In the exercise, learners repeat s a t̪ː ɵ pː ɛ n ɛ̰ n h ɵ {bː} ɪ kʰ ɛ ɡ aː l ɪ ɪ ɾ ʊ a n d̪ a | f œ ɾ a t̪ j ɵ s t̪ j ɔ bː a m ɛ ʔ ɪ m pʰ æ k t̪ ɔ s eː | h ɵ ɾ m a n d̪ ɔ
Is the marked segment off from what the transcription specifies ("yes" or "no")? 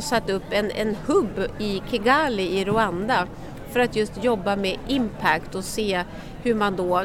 no